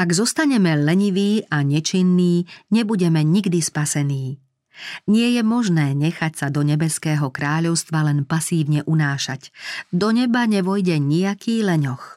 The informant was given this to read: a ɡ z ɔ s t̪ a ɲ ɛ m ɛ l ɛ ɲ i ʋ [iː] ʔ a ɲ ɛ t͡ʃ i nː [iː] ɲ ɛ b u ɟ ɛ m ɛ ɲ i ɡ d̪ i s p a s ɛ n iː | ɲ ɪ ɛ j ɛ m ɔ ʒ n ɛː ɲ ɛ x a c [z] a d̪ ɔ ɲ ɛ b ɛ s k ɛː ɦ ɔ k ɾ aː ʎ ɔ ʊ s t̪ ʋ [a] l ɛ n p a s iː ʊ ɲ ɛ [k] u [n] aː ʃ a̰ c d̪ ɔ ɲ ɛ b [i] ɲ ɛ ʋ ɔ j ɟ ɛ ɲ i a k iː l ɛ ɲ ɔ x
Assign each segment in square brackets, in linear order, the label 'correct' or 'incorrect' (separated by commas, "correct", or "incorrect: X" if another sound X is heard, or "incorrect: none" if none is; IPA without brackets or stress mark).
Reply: correct, correct, incorrect: s, correct, incorrect: ʔ, correct, incorrect: a